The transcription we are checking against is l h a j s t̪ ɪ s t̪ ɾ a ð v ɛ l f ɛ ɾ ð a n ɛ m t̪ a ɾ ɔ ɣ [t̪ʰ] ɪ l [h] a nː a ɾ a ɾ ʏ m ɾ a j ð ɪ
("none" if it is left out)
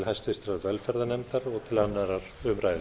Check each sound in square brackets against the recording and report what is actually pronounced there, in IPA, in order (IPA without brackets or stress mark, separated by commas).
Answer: t̪ʰ, h